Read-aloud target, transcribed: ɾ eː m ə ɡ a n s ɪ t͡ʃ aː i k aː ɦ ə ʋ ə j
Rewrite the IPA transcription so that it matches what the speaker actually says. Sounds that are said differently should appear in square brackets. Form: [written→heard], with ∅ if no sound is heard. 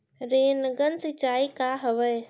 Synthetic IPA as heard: ɾ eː [m→n] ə ɡ [a→ə] n s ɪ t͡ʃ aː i k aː ɦ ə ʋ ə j